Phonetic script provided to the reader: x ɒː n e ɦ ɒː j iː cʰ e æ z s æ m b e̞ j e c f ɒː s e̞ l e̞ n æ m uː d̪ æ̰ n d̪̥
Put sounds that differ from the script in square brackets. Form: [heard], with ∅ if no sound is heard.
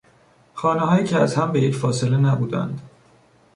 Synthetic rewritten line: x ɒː n e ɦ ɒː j iː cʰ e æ z [h] æ m b e̞ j e c f ɒː s e̞ l e̞ n æ [b] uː d̪ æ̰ n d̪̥